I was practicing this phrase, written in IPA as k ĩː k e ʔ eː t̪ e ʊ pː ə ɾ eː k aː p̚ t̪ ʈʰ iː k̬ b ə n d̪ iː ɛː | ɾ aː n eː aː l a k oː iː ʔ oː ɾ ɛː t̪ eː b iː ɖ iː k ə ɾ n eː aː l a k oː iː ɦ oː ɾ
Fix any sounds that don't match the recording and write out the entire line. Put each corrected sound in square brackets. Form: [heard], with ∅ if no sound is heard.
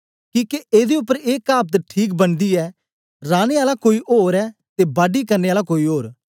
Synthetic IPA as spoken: k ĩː k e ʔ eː [d̪] e ʊ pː ə ɾ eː k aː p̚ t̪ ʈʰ iː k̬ b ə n d̪ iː ɛː | ɾ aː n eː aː l a k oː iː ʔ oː ɾ ɛː t̪ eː b [aː] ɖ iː k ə ɾ n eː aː l a k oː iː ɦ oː ɾ